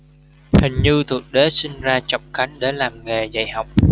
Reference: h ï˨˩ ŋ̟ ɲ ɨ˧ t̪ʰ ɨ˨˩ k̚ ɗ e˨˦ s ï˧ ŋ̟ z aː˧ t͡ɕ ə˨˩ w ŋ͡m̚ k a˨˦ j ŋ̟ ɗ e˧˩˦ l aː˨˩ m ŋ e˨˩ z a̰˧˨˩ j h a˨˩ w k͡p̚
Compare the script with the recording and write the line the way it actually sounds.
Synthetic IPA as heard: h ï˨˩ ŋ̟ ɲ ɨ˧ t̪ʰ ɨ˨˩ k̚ ɗ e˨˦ s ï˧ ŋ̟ z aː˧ t͡ɕ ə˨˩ w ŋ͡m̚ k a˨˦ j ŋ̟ ɗ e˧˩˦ l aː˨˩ m ŋ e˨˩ z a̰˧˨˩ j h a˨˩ w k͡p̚